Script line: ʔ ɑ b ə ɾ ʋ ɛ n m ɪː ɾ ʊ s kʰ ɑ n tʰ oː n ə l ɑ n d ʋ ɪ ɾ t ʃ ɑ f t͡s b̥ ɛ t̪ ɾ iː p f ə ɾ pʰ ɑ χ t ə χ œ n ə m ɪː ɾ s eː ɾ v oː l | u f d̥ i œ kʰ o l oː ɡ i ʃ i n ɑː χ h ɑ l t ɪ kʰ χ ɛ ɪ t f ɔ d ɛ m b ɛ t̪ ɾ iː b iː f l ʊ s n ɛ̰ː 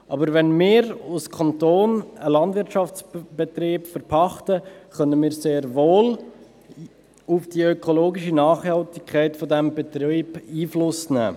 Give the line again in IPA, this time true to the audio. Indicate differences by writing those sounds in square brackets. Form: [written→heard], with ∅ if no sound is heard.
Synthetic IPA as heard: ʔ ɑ b ə ɾ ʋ ɛ n m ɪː ɾ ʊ s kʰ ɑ n [tʰ→t] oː n ə l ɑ n d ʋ ɪ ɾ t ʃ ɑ f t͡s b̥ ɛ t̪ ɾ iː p f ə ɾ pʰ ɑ χ t ə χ œ n ə m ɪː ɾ s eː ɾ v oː l | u f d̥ i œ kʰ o l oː ɡ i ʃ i n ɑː χ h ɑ l t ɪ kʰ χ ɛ ɪ t f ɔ d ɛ m b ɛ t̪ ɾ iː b iː f l ʊ s n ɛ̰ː